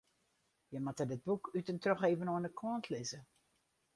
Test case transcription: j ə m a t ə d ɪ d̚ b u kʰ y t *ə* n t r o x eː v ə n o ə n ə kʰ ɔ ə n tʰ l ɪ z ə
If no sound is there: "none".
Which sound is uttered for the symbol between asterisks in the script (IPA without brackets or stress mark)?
ə